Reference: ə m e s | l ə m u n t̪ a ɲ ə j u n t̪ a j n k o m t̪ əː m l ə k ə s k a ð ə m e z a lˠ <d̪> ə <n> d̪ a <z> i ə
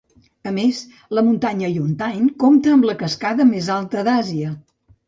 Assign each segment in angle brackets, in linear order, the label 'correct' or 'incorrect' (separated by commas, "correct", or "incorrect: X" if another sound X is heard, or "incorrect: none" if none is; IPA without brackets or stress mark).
incorrect: t̪, incorrect: none, correct